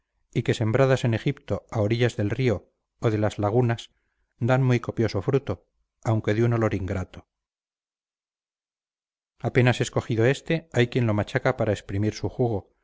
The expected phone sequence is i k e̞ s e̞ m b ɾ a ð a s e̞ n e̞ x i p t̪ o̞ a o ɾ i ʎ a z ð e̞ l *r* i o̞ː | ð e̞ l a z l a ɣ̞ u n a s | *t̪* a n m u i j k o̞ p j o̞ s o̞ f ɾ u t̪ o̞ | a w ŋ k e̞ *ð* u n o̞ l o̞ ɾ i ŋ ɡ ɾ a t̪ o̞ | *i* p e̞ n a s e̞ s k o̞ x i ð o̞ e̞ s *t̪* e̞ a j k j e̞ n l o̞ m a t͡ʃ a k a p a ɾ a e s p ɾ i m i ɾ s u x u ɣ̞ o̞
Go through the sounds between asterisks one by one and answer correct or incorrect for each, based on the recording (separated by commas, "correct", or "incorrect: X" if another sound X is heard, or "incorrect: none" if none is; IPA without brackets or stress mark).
correct, incorrect: d̪, correct, incorrect: a, correct